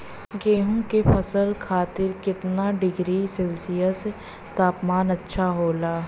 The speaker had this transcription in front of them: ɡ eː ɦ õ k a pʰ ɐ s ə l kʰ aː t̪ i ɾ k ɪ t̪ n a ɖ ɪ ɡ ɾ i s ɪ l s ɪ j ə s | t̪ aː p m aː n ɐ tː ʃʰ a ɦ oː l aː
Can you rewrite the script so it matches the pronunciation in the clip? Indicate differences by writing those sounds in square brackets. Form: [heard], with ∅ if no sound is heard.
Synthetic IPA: ɡ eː ɦ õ k [e] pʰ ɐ s ə l kʰ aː t̪ [ɪ] ɾ k ɪ t̪ n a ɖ ɪ ɡ ɾ i s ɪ l s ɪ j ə s | t̪ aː p m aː n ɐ tː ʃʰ a ɦ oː l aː